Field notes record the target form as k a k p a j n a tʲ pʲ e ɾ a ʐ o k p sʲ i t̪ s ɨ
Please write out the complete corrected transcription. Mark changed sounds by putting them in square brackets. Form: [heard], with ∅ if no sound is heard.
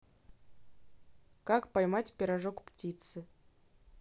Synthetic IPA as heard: k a k p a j [m] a tʲ pʲ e ɾ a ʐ o k p [tʲ] i t̪ s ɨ